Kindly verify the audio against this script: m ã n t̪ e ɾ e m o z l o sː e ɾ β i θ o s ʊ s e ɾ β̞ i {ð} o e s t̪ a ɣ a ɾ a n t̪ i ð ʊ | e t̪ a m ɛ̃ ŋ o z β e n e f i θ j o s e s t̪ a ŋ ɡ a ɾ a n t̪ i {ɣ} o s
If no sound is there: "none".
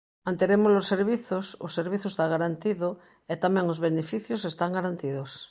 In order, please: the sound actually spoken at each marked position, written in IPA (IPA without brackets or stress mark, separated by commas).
θ, ð